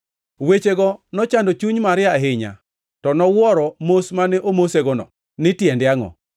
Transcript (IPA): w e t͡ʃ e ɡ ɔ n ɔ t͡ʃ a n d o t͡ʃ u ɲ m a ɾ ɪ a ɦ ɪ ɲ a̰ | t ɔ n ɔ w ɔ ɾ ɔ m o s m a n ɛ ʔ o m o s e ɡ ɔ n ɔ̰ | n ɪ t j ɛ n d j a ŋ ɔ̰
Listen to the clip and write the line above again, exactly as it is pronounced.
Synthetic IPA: w e t͡ʃ e ɡ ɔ n ɔ t͡ʃ a n d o t͡ʃ u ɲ m a ɾ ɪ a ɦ ɪ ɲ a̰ | t ɔ n ɔ w ɔ ɾ ɔ m o s m a n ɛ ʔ o m o s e ɡ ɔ n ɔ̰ | n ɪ t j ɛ n d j a ŋ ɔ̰